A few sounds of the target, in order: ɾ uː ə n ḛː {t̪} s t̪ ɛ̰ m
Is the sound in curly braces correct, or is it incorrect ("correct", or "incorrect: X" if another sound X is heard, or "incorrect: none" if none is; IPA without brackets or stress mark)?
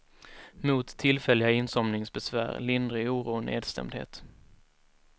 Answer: incorrect: d̪